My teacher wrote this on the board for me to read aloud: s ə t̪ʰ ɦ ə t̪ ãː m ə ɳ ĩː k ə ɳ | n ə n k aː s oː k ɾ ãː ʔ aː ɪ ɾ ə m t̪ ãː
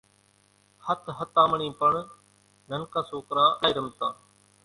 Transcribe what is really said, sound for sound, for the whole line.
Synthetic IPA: h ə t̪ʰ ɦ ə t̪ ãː m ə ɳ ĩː p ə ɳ | n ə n k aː s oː k ɾ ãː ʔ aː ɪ ɾ ə m t̪ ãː